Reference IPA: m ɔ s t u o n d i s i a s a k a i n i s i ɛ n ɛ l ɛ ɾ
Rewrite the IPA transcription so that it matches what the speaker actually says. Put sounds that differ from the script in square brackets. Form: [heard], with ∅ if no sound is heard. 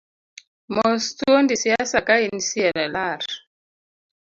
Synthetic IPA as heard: m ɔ s t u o n d i s i a s a k a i n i s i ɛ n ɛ l [a] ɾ

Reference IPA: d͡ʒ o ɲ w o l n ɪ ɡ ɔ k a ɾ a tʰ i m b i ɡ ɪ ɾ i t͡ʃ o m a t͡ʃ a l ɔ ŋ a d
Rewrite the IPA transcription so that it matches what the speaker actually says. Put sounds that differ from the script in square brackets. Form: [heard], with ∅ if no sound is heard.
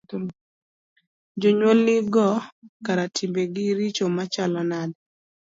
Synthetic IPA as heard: d͡ʒ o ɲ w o l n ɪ ɡ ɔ k a ɾ a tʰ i m b [e] ɡ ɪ ɾ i t͡ʃ o m a t͡ʃ a l ɔ [n] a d

